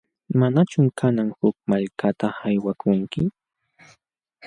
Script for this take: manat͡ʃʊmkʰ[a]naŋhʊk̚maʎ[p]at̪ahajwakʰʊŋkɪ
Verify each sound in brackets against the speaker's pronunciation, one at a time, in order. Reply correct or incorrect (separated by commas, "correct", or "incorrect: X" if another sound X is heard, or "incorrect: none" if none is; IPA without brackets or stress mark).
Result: correct, incorrect: k